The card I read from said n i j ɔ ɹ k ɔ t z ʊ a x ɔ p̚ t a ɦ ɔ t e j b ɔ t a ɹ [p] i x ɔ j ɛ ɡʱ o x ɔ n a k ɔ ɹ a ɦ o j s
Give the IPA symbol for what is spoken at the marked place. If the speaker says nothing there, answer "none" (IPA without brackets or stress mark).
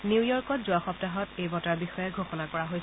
b